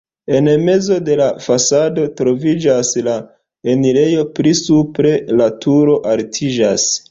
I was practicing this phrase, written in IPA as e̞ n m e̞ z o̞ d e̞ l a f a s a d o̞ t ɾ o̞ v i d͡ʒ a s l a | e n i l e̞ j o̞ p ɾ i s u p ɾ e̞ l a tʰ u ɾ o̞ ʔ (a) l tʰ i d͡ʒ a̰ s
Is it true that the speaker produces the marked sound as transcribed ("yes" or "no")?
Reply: yes